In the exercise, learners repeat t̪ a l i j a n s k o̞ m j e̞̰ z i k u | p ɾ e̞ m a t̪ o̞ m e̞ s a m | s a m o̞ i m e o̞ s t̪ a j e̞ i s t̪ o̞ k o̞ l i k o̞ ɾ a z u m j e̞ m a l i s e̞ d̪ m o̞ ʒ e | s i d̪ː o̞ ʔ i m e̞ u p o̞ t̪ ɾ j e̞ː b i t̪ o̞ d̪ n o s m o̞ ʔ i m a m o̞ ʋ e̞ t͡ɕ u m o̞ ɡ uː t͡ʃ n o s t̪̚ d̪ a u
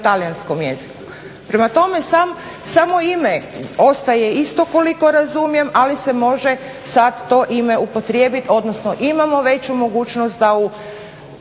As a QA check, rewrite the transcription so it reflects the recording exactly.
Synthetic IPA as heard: t̪ a l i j a n s k o̞ m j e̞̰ z i k u | p ɾ e̞ m a t̪ o̞ m e̞ s a m | s a m o̞ i m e o̞ s t̪ a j e̞ i s t̪ o̞ k o̞ l i k o̞ ɾ a z u m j e̞ m a l i s e̞ m o̞ ʒ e | s a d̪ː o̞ ʔ i m e̞ u p o̞ t̪ ɾ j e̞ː b i t̪ o̞ d̪ n o s n o̞ ʔ i m a m o̞ ʋ e̞ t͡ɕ u m o̞ ɡ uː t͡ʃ n o s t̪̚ d̪ a u

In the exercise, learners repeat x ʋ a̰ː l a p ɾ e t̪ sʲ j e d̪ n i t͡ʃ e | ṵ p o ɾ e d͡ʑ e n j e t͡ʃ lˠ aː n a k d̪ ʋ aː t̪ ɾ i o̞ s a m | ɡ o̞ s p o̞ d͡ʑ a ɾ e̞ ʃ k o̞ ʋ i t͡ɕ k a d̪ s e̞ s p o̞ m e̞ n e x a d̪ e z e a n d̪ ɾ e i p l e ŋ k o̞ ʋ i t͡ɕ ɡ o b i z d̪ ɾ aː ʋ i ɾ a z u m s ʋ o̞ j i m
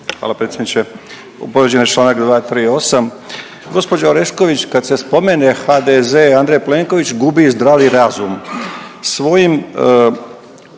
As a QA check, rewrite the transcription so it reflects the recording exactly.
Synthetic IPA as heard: x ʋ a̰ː l a p ɾ e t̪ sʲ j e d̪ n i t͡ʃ e | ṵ p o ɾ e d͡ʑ e n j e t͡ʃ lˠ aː n a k d̪ ʋ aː t̪ ɾ i o̞ s a m | ɡ o̞ s p o̞ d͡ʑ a ɾ e̞ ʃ k o̞ ʋ i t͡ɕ k a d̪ s e̞ s p o̞ m e̞ n e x a d̪ e z e a n d̪ ɾ e j p l e ŋ k o̞ ʋ i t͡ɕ ɡ u b i z d̪ ɾ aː ʋ i ɾ a z u m s ʋ o̞ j i m

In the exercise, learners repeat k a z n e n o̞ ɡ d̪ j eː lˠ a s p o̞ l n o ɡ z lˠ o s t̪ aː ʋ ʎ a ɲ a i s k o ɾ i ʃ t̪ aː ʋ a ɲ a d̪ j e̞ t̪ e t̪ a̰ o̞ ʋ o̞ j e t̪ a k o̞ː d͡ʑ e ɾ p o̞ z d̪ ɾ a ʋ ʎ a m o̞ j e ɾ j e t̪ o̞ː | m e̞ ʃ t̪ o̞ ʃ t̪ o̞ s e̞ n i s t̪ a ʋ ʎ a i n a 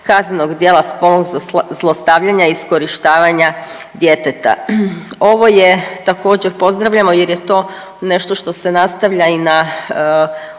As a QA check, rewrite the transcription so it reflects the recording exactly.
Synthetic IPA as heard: k a z n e n o̞ ɡ d̪ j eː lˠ a s p o̞ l n o ɡ z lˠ o s t̪ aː ʋ ʎ a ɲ a i s k o ɾ i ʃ t̪ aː ʋ a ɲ a d̪ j e̞ t̪ e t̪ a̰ o̞ ʋ o̞ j e t̪ a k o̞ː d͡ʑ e ɾ p o̞ z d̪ ɾ a ʋ ʎ a m o̞ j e ɾ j e t̪ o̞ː | n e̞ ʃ t̪ o̞ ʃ t̪ o̞ s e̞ n a s t̪ a ʋ ʎ a i n a

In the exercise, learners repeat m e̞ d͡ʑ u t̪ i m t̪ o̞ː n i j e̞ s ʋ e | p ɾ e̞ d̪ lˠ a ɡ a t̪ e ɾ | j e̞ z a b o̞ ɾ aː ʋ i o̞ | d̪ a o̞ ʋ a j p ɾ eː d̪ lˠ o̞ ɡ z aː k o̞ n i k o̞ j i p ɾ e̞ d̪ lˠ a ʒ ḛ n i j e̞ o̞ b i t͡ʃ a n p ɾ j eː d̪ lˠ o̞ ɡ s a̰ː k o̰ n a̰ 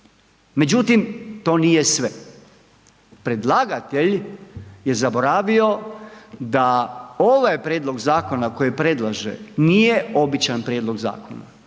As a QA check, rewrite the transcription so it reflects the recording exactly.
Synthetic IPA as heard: m e̞ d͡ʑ u t̪ i m t̪ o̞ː n i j e̞ s ʋ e | p ɾ e̞ d̪ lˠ a ɡ a t̪ e ʎ | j e̞ z a b o̞ ɾ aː ʋ i o̞ | d̪ a o̞ ʋ a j p ɾ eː d̪ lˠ o̞ ɡ z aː k o̞ n a k o̞ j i p ɾ e̞ d̪ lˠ a ʒ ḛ n i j e̞ o̞ b i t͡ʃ a n p ɾ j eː d̪ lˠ o̞ ɡ z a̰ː k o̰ n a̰

